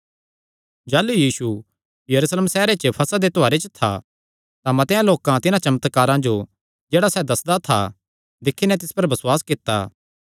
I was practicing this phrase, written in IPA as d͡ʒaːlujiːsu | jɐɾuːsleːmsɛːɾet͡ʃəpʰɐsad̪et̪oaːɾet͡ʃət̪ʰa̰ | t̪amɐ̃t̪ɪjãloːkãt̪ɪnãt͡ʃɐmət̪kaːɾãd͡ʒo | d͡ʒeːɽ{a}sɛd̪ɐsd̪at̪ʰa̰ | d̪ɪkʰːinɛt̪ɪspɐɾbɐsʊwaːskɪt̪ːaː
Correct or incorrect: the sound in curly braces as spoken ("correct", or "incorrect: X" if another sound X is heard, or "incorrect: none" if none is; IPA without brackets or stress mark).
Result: correct